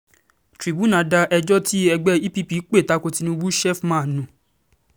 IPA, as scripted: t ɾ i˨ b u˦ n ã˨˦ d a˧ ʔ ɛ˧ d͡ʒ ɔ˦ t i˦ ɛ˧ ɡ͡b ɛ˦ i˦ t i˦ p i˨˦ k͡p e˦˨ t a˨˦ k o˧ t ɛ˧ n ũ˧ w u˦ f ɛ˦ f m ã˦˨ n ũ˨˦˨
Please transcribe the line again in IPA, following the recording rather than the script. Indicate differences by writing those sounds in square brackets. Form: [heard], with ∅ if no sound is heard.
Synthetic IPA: t ɾ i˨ b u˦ n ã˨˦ d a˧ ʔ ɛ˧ d͡ʒ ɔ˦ t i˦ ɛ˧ ɡ͡b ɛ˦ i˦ [p] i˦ p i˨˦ k͡p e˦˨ t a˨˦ k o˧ t [i˧] n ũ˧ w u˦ [ʃ] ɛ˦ f m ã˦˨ n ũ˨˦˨